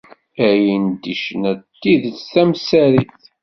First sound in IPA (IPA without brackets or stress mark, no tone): æ